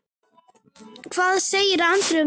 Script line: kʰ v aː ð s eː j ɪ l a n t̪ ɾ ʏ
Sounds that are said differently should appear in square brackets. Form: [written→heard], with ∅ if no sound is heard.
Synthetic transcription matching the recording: kʰ v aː ð s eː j ɪ [l→ɾ] a n t̪ ɾ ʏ